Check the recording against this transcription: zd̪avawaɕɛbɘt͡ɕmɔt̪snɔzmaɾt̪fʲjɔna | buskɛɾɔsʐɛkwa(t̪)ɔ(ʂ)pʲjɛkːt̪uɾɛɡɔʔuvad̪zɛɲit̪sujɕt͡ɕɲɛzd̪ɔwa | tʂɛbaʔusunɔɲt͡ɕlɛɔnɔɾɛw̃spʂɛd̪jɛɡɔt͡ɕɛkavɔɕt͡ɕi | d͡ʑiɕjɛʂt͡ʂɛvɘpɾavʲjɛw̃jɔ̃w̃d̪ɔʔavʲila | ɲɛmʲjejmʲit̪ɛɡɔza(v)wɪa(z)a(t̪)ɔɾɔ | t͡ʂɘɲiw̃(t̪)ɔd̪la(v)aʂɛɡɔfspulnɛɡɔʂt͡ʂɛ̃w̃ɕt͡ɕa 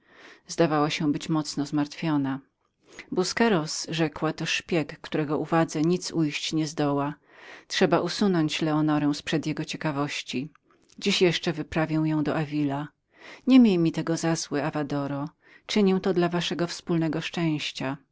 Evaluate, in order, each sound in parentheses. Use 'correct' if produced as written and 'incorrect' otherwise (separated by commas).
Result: correct, correct, incorrect, incorrect, incorrect, correct, correct